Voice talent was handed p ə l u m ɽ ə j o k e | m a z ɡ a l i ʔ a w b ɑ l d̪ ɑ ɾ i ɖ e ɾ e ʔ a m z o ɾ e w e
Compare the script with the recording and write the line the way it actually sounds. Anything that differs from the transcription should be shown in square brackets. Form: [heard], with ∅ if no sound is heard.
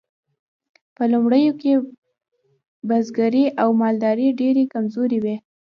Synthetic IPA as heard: p ə l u m ɽ ə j o k e | [b] a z ɡ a [ɾ] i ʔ a w [m] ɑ l d̪ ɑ ɾ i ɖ e ɾ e [k] a m z o ɾ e w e